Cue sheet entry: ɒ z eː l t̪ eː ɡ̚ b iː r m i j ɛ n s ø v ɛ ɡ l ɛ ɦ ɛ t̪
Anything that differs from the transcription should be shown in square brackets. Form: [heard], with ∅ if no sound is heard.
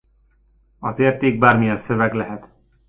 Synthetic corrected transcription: ɒ z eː [r] t̪ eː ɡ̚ b [aː] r m i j ɛ n s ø v ɛ ɡ l ɛ ɦ ɛ t̪